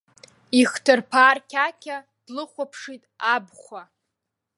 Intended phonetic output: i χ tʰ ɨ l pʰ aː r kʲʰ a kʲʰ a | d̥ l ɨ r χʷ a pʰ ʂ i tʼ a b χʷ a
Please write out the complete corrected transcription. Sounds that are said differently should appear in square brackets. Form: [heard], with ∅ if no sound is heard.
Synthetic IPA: i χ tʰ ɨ [r] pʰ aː r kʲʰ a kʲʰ a | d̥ l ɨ [∅] χʷ a pʰ ʂ i tʼ a b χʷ a